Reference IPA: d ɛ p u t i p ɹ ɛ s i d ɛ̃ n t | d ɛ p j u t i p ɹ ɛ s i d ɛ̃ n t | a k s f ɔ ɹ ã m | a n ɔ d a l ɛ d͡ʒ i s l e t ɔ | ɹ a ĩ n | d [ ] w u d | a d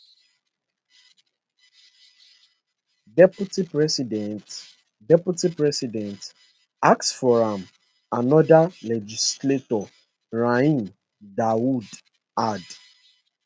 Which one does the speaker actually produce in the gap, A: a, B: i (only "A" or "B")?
A